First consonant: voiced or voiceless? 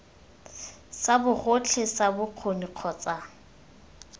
voiceless